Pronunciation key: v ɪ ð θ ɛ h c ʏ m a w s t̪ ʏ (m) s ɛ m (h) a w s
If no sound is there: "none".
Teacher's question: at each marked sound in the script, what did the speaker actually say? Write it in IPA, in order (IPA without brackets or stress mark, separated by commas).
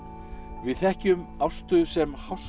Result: none, h